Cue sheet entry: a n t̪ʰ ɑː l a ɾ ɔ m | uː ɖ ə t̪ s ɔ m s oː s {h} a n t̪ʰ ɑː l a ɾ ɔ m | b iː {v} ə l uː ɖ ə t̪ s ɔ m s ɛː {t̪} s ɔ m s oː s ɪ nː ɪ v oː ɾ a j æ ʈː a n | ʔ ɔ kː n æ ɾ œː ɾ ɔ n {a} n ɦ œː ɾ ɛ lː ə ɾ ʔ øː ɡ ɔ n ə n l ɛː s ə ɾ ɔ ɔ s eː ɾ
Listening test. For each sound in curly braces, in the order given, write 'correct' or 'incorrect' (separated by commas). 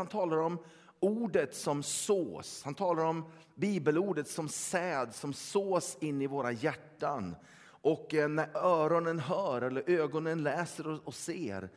correct, incorrect, incorrect, incorrect